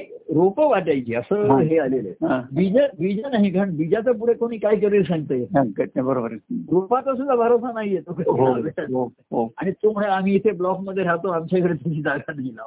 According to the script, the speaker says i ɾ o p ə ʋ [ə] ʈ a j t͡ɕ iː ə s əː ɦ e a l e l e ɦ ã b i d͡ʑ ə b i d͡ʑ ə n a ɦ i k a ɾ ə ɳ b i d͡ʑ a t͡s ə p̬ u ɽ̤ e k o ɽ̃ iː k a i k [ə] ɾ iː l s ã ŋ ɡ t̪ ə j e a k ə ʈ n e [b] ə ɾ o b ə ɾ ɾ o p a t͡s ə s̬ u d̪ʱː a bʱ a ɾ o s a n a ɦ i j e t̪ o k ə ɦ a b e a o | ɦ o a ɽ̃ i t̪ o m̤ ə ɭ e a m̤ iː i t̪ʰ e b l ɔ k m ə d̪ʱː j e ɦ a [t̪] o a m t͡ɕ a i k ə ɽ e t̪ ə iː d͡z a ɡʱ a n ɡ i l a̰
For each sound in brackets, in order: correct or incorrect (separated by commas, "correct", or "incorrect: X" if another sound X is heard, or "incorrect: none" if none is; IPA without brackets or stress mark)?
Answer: incorrect: a, correct, correct, correct